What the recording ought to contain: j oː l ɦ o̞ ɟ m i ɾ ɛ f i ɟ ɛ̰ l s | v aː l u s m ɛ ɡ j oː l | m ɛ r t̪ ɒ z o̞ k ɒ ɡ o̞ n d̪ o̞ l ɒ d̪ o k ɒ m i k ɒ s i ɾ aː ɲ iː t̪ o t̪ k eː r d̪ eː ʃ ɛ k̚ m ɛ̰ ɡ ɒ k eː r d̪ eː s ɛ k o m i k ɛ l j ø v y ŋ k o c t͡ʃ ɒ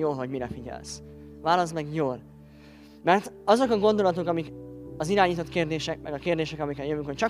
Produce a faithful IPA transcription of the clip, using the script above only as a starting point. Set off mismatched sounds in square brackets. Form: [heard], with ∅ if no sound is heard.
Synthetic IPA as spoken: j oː l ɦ o̞ ɟ m i ɾ ɛ f i ɟ ɛ̰ l s | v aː l [ɒ] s m ɛ ɡ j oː l | m ɛ r t̪ ɒ z o̞ k ɒ ɡ o̞ n d̪ o̞ l ɒ [t̪] o k ɒ m i k ɒ [z] i ɾ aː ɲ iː t̪ o t̪ k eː r d̪ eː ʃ ɛ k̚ m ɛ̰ ɡ ɒ k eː r d̪ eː [ʃ] ɛ k [ɒ] m i k ɛ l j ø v y ŋ k o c t͡ʃ ɒ